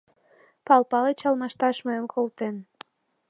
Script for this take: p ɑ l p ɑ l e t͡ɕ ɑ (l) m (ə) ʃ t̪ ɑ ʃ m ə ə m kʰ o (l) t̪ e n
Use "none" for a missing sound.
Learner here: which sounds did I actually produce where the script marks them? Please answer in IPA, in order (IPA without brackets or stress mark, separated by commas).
l, ɑ, l